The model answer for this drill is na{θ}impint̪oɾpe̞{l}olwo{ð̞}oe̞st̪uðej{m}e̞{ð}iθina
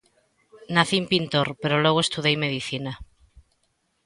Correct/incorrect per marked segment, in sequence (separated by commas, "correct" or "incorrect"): correct, incorrect, incorrect, correct, correct